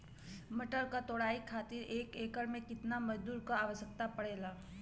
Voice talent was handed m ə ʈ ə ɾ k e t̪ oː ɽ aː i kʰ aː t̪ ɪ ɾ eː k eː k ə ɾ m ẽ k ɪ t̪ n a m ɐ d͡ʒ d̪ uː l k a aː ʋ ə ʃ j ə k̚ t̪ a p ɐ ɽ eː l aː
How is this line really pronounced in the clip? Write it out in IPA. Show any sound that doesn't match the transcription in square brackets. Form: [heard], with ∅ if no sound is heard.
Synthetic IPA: m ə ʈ ə ɾ k [a] t̪ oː ɽ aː i kʰ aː t̪ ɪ ɾ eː k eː k ə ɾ m ẽ k ɪ t̪ n a m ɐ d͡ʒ d̪ uː [ɾ] k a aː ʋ ə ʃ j ə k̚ t̪ a p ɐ ɽ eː l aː